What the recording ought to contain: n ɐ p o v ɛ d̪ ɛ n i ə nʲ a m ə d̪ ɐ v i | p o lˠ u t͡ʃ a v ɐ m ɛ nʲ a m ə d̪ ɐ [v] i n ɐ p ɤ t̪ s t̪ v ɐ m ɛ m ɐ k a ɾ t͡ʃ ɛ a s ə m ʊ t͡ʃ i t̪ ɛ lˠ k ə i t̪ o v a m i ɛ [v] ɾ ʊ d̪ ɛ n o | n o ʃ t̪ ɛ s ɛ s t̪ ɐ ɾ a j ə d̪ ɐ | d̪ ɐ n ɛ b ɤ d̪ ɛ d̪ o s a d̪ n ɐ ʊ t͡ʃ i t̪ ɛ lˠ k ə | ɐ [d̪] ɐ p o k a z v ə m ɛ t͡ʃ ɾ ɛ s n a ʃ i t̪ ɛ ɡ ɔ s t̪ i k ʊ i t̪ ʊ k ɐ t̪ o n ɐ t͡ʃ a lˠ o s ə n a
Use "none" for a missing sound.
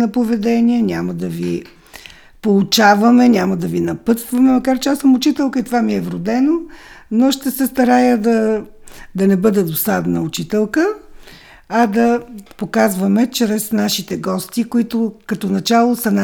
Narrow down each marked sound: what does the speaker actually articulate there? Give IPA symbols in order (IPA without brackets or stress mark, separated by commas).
v, v, d̪